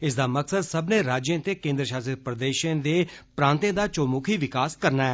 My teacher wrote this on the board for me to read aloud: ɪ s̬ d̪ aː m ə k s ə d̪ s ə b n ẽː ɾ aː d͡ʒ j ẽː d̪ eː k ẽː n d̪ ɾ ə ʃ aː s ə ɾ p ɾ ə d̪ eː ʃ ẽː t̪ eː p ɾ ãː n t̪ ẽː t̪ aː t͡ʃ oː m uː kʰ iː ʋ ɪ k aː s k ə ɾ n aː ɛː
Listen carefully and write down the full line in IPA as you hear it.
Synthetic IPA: ɪ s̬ d̪ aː m ə k s ə d̪ s ə b n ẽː ɾ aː d͡ʒ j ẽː t̪ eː k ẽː n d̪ ɾ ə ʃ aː s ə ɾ p ɾ ə d̪ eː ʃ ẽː d̪ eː p ɾ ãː n t̪ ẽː d̪ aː t͡ʃ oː m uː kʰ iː ʋ ɪ k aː s k ə ɾ n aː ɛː